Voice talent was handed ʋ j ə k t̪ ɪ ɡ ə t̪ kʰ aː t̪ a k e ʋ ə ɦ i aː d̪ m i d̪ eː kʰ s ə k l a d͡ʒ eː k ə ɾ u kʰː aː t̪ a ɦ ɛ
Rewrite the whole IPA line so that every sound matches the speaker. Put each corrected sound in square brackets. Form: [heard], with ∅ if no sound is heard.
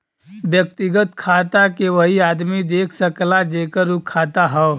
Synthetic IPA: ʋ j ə k t̪ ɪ ɡ ə t̪ kʰ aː t̪ a k e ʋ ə ɦ i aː d̪ m i d̪ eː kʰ s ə k l a d͡ʒ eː k ə ɾ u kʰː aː t̪ a ɦ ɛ